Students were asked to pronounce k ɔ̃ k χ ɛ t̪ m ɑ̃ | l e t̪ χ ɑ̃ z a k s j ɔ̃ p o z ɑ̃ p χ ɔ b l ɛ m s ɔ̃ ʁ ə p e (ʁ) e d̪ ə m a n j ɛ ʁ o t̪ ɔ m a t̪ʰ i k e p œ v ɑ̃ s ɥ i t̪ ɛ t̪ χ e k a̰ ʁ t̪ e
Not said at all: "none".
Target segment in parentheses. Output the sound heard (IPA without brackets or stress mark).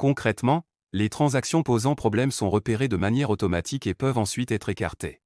ʁ